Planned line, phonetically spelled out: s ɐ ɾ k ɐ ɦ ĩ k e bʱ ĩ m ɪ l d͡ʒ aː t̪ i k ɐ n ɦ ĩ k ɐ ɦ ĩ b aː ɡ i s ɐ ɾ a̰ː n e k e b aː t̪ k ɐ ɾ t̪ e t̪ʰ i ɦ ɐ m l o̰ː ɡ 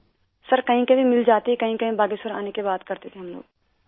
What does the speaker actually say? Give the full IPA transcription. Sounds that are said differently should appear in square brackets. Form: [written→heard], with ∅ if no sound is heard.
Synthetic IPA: s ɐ ɾ k ɐ ɦ ĩ k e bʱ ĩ m ɪ l d͡ʒ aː t̪ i k ɐ [n→∅] ɦ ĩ k ɐ ɦ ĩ b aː ɡ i s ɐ ɾ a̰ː n e k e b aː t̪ k ɐ ɾ t̪ e t̪ʰ [i→e] ɦ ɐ m l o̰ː ɡ

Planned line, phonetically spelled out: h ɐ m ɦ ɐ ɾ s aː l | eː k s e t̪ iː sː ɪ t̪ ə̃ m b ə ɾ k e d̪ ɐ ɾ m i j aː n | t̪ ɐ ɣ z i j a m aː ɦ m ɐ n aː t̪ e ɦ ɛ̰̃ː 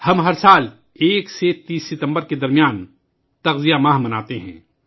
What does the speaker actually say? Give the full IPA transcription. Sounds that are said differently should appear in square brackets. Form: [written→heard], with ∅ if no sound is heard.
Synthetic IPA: h ɐ m ɦ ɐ ɾ s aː l | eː k s e t̪ iː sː ɪ t̪ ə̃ m b ə ɾ k e d̪ ɐ ɾ m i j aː n | t̪ ɐ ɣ z i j a m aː ɦ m ɐ n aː t̪ e ɦ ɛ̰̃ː

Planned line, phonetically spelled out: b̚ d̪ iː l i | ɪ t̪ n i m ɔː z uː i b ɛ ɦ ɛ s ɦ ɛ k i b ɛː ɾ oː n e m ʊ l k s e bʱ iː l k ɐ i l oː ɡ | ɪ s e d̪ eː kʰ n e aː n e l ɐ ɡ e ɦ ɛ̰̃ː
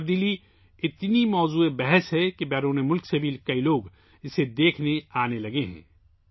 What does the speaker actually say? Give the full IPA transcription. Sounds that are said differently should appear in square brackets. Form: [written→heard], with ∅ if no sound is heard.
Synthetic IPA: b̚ d̪ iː l i | ɪ t̪ n i m ɔː z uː [i→e] b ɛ ɦ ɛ s ɦ ɛ k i b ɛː ɾ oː n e m ʊ l k s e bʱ iː l k ɐ i l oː ɡ | ɪ s e d̪ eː kʰ n e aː n e l ɐ ɡ e ɦ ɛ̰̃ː

